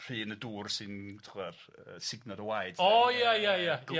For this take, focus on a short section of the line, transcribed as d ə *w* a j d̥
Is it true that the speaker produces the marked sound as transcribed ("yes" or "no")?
yes